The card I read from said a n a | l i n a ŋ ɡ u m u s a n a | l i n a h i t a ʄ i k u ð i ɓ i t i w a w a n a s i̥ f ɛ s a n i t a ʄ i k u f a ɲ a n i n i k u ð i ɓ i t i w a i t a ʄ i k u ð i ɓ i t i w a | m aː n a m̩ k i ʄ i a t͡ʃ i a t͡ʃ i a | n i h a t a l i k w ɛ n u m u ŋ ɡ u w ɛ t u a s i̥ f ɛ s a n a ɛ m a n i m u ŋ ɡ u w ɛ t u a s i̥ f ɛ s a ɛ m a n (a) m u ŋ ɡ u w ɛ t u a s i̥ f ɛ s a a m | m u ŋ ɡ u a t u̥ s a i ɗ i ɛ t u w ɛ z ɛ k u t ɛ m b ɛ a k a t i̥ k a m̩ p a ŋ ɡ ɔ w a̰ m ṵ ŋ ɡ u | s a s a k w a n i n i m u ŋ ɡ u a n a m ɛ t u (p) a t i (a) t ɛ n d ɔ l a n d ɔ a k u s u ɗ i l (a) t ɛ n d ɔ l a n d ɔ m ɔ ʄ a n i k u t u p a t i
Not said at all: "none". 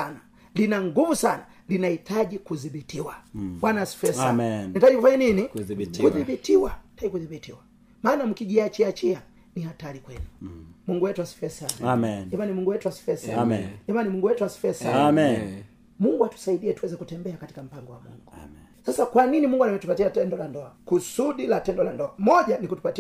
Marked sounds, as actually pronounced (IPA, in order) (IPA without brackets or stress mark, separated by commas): i, p, a, a